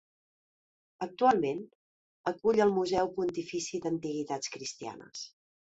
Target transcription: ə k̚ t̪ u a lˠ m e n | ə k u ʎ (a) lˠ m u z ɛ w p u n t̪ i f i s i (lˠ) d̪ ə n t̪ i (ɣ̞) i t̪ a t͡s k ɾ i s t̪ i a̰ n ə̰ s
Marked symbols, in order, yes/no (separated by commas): no, no, yes